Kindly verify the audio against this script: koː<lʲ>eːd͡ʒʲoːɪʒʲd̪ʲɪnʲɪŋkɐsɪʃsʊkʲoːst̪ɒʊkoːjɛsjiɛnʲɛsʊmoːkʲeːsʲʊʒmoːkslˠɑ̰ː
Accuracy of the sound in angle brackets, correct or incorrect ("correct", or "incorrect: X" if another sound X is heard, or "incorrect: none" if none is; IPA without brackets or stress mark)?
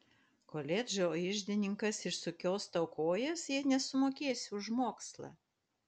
correct